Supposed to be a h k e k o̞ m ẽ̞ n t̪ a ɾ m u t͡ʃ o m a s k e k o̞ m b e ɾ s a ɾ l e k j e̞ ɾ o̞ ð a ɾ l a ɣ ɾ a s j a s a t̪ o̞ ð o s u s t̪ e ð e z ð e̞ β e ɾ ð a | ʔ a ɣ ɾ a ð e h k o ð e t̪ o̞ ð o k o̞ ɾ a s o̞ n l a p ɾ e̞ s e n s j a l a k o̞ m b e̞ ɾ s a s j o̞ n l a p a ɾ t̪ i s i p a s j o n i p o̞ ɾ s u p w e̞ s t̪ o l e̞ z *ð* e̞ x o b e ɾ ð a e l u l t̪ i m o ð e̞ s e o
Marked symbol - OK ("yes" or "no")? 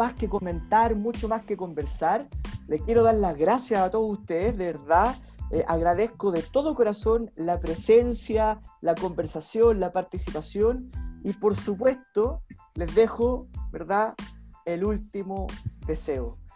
yes